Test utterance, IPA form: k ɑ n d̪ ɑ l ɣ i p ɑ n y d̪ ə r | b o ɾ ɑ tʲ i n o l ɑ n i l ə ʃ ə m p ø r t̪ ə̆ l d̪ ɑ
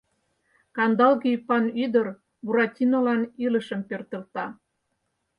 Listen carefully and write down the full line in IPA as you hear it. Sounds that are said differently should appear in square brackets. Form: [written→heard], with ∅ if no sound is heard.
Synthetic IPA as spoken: k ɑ n d̪ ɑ l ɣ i p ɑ n y d̪ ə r | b [o→u] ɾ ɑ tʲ i n o l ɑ n i l ə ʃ ə m p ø r t̪ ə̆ l [d̪→t̪] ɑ